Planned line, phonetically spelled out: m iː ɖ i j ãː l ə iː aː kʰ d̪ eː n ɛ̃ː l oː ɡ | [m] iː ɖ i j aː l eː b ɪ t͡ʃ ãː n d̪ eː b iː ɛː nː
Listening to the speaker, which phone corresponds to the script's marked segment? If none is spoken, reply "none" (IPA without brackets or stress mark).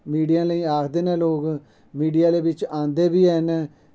m